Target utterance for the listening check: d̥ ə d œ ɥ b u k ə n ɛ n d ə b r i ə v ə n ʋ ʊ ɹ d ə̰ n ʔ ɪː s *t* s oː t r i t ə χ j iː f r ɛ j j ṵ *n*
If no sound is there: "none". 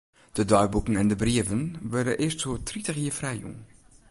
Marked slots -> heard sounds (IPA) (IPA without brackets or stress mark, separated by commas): t, ŋ